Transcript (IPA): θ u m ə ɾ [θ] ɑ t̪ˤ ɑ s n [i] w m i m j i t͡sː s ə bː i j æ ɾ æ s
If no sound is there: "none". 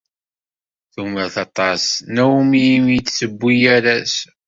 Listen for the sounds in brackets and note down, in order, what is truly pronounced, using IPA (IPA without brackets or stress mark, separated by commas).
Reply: θ, æ